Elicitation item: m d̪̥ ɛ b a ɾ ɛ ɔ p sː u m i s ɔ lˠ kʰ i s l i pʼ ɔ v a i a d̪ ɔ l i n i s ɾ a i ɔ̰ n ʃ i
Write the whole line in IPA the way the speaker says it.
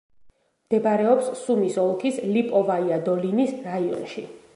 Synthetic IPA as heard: m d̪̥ ɛ b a ɾ ɛ ɔ p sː u m i s ɔ lˠ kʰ i s l i pʼ ɔ v a i a d̪ ɔ l i n i s ɾ a i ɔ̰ n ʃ i